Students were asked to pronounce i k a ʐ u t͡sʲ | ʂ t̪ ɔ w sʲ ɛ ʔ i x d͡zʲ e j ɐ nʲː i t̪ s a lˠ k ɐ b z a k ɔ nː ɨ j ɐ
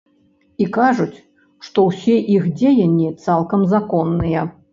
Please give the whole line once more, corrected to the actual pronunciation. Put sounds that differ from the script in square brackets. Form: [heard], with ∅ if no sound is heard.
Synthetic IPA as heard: i k a ʐ u t͡sʲ | ʂ t̪ ɔ w sʲ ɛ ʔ i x d͡zʲ e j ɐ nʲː i t̪ s a lˠ k ɐ [m] z a k ɔ nː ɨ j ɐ